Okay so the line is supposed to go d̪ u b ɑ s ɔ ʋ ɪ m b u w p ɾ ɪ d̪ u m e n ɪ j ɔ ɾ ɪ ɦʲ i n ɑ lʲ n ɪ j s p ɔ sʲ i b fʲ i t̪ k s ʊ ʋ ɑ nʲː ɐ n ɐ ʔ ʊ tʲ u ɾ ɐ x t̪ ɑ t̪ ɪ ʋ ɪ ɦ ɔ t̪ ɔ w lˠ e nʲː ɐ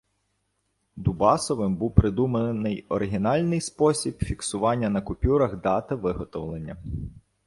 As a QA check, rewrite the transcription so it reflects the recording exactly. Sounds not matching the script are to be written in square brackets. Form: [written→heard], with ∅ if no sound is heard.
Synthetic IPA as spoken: d̪ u b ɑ s ɔ ʋ ɪ m b u w p ɾ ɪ d̪ u m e n ɪ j ɔ ɾ ɪ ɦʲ i n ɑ lʲ n ɪ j s p ɔ sʲ i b fʲ i [t̪→∅] k s ʊ ʋ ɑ nʲː ɐ n ɐ [ʔ→k] ʊ [tʲ→pʲ] u ɾ ɐ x [t̪→d̪] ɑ t̪ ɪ ʋ ɪ ɦ ɔ t̪ ɔ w lˠ e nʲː ɐ